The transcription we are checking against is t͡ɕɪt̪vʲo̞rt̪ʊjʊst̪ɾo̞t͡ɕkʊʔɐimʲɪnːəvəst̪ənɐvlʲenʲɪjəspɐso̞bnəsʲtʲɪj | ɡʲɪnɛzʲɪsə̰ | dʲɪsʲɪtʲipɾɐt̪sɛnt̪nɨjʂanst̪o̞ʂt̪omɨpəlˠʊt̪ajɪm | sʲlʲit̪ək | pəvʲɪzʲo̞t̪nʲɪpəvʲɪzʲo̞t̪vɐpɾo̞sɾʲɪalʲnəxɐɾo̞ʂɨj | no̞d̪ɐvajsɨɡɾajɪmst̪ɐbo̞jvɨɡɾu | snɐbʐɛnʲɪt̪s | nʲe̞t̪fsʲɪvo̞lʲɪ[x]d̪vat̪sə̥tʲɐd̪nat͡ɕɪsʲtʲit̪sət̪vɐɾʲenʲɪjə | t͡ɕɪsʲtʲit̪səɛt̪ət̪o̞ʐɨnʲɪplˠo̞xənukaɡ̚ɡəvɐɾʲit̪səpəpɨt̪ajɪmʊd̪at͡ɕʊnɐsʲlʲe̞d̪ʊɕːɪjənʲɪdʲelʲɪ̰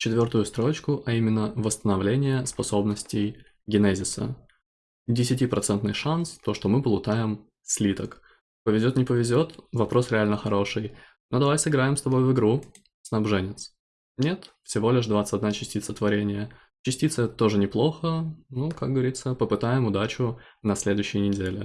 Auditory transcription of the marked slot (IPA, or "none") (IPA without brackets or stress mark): ʂ